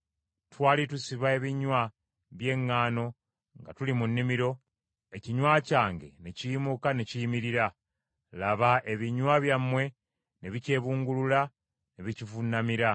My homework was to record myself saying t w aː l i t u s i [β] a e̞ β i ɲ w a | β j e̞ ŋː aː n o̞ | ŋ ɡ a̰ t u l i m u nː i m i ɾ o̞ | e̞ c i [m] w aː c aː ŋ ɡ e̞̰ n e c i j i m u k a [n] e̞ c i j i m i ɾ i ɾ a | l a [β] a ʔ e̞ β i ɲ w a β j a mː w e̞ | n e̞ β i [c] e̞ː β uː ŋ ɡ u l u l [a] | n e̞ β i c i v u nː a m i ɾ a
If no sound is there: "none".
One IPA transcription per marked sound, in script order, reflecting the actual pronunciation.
β, ɲ, n, β, c, a

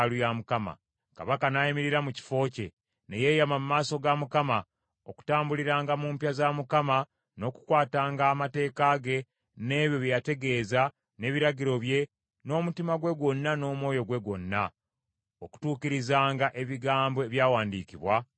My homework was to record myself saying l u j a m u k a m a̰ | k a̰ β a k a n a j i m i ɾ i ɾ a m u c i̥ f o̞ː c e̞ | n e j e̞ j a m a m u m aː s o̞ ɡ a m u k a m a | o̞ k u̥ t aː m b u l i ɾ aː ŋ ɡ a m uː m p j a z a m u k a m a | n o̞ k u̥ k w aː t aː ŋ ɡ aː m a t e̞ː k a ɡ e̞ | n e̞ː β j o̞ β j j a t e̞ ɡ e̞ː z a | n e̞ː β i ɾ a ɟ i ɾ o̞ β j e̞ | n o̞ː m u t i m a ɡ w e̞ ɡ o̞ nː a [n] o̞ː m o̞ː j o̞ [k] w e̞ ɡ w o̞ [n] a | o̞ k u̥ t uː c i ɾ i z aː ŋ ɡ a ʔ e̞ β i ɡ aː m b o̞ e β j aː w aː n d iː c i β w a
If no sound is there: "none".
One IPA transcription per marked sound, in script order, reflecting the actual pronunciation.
n, ɡ, nː

